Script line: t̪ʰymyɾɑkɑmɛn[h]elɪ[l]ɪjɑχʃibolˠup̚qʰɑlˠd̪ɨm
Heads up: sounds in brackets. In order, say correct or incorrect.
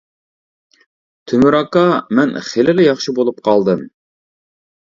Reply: incorrect: χ, correct

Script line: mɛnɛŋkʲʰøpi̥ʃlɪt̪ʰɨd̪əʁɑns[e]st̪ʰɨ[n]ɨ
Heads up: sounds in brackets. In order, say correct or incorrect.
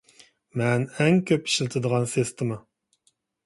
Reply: correct, incorrect: m

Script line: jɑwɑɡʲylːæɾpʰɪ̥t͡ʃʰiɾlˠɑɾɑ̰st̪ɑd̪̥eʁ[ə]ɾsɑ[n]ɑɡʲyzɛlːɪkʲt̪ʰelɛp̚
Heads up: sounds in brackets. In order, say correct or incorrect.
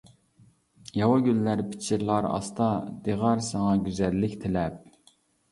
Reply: incorrect: ɑ, incorrect: ŋ

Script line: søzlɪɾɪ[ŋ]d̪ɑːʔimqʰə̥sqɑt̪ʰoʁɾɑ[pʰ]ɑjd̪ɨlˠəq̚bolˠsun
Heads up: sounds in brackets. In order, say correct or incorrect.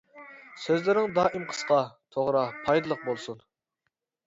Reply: correct, correct

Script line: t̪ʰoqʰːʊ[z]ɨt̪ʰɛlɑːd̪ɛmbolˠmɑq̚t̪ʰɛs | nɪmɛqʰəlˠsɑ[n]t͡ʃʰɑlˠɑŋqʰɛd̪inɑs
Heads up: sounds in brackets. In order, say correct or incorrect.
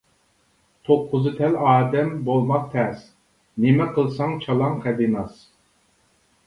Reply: correct, incorrect: ŋ

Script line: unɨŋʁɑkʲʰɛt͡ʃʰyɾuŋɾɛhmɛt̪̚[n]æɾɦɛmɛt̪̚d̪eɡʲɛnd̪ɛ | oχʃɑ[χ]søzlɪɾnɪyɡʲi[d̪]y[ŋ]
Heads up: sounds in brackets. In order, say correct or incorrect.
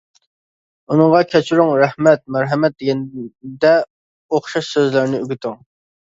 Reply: incorrect: m, incorrect: ʃ, incorrect: t̪, correct

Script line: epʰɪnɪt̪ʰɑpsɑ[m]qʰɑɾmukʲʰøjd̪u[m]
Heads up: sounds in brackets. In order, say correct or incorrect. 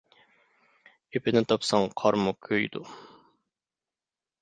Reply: incorrect: ŋ, incorrect: none

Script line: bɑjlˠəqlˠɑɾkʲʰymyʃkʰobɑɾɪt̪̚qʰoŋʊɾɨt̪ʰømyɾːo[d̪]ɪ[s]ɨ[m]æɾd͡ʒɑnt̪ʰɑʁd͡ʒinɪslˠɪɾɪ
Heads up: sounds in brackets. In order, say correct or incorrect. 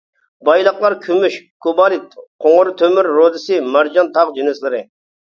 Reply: correct, correct, correct

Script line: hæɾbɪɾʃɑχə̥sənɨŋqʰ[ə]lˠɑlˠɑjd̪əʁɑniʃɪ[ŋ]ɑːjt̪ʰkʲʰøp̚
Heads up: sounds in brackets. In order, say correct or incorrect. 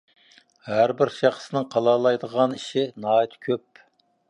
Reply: incorrect: ɑ, incorrect: n

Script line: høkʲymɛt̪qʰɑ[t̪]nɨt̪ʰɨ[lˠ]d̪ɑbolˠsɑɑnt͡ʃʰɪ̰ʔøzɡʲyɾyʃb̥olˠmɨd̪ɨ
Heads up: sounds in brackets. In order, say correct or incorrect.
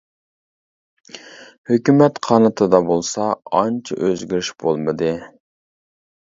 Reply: incorrect: none, incorrect: none

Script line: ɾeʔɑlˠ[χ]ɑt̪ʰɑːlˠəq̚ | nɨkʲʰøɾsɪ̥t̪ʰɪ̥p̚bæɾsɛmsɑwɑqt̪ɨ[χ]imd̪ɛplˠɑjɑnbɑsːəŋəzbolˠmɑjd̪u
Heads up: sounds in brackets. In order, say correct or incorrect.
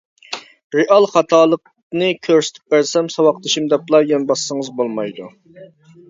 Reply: correct, incorrect: ʃ

